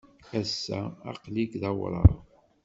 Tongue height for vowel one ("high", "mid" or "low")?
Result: low